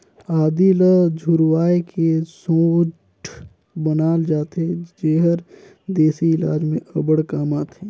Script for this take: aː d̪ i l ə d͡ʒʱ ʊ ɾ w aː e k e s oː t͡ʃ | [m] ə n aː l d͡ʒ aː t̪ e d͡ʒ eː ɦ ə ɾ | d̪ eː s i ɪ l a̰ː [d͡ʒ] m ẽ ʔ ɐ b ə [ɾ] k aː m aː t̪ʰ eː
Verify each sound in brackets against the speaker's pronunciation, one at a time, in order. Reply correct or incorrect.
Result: incorrect: b, correct, incorrect: ɽ

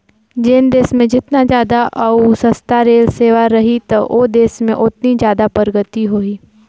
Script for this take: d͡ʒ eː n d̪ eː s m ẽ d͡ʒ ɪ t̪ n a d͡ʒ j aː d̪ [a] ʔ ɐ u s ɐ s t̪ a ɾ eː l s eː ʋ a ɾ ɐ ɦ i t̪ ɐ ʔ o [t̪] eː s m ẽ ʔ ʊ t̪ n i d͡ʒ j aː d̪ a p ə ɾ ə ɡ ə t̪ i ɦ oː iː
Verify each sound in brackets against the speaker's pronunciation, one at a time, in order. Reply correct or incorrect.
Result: correct, incorrect: d̪

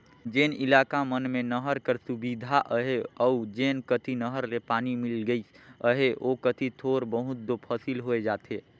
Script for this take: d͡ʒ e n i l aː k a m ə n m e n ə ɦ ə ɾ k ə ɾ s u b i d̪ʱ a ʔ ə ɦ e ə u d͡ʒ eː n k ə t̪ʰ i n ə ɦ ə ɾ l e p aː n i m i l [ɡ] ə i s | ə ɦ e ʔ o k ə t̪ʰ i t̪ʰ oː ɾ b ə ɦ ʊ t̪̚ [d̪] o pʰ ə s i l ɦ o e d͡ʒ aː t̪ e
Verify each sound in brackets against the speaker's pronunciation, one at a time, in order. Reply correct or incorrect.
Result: correct, correct

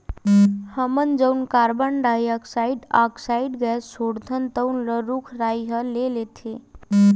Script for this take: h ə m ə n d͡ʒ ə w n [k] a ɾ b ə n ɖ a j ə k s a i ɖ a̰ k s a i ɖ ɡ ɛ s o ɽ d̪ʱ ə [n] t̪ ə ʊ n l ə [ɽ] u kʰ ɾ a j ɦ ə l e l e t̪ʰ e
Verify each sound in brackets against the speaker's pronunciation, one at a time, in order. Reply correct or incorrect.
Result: correct, correct, incorrect: ɾ

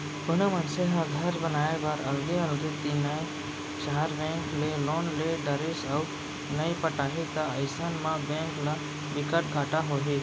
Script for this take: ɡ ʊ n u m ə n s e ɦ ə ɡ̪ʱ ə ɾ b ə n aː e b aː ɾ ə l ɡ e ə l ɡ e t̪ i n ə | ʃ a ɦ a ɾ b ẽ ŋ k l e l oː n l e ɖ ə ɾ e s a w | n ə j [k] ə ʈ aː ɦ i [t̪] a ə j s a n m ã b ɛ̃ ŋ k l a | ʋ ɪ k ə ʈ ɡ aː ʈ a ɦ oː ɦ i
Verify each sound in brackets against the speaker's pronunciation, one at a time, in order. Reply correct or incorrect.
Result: incorrect: p, correct

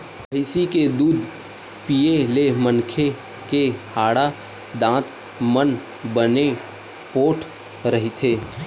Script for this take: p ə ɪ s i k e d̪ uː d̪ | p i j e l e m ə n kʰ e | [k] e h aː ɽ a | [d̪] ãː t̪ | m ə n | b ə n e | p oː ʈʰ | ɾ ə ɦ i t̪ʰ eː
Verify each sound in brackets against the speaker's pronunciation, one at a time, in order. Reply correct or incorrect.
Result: correct, correct

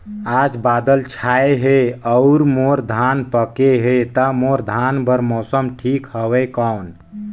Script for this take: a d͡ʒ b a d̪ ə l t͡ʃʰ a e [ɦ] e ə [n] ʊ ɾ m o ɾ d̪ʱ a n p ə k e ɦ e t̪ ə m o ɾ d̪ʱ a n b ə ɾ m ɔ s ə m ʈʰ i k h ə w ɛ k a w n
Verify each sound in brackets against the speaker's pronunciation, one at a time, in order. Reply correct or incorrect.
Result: correct, incorrect: none

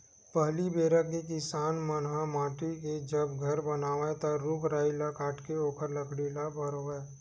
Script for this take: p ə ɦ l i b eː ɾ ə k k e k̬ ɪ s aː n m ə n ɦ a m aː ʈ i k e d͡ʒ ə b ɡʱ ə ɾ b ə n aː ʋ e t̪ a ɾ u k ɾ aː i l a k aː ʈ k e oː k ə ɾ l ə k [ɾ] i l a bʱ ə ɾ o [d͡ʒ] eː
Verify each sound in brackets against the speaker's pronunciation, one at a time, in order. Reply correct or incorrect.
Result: incorrect: ɽ, incorrect: none

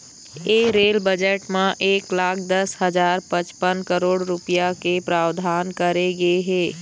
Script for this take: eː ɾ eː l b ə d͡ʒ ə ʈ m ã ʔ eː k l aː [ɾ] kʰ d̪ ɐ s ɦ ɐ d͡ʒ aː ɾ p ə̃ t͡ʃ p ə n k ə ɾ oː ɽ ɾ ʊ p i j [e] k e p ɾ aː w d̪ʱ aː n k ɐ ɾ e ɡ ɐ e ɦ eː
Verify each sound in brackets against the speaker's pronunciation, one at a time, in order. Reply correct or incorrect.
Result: incorrect: none, incorrect: a

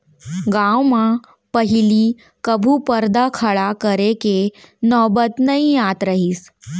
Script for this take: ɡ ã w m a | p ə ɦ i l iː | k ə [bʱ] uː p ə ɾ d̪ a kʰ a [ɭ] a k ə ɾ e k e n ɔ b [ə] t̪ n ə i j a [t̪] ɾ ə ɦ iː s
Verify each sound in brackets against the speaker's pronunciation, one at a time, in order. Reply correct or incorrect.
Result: correct, correct, correct, correct

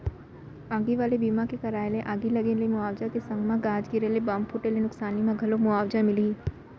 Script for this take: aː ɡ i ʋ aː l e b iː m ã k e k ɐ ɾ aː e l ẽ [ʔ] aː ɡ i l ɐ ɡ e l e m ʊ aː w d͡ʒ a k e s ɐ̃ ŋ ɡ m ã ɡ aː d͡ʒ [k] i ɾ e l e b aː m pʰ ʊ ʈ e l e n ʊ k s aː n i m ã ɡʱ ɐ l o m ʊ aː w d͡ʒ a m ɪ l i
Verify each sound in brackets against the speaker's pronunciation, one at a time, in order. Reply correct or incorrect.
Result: correct, incorrect: ɡ

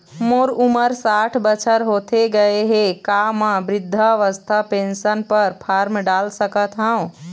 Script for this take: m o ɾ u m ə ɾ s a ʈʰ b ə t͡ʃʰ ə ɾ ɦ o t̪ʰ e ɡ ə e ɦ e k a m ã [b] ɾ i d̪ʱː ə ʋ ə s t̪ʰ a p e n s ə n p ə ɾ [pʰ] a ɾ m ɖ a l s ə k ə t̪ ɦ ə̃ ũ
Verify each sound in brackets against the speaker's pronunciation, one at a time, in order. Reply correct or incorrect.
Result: correct, correct

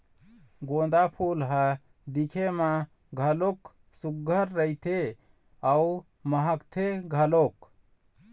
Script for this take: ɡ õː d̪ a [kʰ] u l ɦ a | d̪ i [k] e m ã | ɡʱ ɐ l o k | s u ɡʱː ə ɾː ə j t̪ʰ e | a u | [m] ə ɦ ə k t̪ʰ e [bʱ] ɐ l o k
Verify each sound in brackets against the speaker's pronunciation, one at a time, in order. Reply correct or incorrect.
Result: incorrect: pʰ, incorrect: kʰ, correct, incorrect: ɡʱ

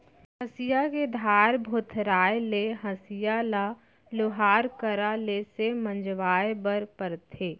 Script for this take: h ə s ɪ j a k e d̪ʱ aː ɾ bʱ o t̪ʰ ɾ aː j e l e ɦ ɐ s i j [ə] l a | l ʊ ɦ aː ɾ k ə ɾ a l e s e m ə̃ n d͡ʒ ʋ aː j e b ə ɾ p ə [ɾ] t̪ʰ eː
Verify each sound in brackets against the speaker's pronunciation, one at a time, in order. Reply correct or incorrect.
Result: incorrect: a, correct

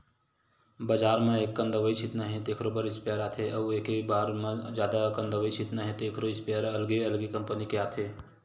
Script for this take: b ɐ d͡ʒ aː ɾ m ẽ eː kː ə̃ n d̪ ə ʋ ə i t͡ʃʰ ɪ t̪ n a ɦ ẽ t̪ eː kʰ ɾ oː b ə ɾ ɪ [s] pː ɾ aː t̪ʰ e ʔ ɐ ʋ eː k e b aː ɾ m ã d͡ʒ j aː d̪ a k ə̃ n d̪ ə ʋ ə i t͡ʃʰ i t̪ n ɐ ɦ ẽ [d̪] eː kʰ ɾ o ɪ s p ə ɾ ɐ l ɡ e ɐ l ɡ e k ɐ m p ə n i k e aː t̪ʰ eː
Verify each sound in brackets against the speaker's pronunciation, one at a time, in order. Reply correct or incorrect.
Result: correct, incorrect: t̪

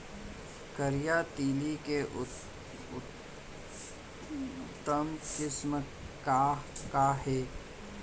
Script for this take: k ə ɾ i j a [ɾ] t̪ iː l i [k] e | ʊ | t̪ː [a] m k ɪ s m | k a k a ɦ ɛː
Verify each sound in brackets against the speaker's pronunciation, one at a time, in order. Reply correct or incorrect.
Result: incorrect: none, correct, incorrect: ə

